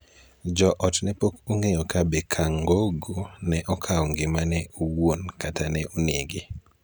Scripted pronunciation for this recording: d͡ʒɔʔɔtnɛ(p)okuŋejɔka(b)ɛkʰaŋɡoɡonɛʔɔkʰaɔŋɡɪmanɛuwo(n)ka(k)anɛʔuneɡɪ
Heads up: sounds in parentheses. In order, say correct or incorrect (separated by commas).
correct, correct, correct, incorrect